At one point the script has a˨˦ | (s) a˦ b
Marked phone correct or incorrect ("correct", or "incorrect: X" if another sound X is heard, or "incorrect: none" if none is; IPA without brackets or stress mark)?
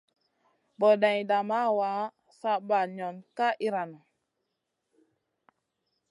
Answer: correct